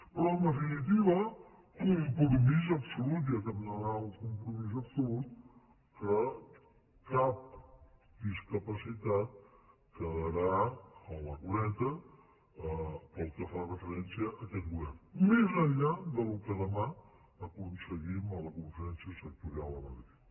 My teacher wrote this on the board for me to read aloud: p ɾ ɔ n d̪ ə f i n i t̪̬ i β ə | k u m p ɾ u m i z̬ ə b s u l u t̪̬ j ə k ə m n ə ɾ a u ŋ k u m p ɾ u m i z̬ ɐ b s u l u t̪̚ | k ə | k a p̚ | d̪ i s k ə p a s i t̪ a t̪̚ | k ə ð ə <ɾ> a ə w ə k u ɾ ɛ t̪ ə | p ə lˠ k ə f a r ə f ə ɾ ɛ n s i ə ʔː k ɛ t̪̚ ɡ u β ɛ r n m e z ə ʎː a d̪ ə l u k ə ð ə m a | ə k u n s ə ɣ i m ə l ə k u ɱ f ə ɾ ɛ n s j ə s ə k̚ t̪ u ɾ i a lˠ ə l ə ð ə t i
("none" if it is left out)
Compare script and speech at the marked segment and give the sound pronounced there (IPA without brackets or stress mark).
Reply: ɾ